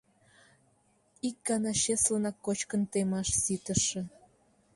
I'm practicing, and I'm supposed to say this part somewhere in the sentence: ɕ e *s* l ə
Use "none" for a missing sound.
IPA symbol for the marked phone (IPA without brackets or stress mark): s